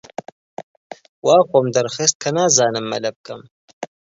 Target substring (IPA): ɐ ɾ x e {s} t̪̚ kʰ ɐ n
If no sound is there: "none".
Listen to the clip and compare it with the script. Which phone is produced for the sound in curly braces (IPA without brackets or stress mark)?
s